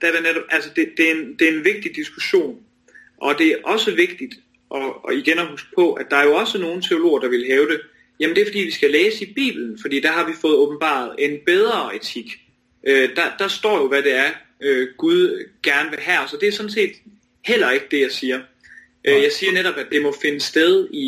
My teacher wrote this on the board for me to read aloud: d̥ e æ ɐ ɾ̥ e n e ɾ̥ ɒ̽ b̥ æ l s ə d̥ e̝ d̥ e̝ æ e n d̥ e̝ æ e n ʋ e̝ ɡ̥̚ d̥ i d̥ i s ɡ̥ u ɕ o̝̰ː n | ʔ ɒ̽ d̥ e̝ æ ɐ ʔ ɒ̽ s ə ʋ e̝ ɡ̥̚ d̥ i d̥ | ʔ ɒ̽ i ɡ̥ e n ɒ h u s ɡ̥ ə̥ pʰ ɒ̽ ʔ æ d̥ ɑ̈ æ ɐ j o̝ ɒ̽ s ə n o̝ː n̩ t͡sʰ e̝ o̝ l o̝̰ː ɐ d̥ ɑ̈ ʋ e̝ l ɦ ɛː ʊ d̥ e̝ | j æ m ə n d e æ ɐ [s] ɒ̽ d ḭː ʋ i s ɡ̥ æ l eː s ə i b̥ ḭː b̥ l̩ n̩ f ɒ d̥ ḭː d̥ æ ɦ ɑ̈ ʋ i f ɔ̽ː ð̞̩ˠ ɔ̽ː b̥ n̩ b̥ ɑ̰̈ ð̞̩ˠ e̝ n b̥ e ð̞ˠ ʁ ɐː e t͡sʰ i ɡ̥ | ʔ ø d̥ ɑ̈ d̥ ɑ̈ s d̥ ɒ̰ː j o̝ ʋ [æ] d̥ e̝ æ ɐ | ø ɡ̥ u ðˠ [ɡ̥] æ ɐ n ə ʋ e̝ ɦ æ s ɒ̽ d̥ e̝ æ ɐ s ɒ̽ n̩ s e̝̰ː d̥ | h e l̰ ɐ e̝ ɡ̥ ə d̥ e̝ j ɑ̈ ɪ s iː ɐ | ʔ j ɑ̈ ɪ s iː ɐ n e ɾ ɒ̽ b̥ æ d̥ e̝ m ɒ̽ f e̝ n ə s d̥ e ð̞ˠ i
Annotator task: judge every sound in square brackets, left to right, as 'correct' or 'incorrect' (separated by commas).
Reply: incorrect, correct, correct